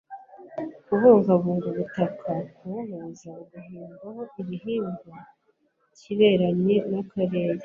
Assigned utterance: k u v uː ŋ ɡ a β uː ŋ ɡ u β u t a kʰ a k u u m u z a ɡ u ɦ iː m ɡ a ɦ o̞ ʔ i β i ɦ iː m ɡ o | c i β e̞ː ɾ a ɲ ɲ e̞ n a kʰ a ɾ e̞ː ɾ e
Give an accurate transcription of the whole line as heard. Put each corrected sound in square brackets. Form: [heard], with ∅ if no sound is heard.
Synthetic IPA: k u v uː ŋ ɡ a β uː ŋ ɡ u β u t a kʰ a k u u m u z a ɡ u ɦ iː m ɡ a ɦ o̞ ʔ i β i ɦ iː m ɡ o | c i β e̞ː ɾ a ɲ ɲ e̞ n a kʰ a ɾ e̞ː ɾ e